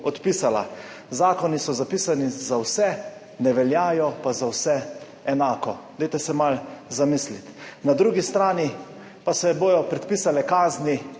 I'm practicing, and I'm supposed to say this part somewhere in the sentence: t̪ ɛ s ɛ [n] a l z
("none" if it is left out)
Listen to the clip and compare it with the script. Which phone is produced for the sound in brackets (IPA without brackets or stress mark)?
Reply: m